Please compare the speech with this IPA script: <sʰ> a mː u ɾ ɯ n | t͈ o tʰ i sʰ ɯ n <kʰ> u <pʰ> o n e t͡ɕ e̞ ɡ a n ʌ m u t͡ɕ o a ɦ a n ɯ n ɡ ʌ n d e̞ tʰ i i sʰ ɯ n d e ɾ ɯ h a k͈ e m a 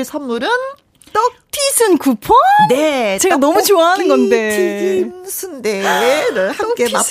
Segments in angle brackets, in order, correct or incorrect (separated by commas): correct, incorrect, correct